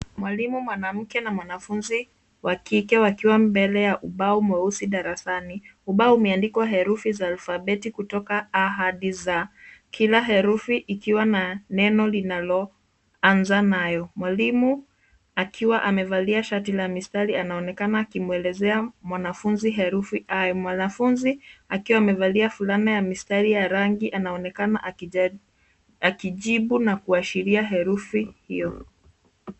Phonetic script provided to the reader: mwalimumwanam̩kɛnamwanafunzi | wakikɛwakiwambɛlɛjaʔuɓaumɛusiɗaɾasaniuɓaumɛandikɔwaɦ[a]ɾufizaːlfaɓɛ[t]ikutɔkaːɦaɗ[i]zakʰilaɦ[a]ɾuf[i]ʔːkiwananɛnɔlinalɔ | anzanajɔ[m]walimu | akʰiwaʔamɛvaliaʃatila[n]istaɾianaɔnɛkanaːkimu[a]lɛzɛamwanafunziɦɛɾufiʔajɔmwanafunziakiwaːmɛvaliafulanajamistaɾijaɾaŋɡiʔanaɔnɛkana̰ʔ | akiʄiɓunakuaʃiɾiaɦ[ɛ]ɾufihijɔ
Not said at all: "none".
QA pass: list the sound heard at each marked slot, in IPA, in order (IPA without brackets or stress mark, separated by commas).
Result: ɛ, t, i, ɛ, i, m, m, ɛ, ɛ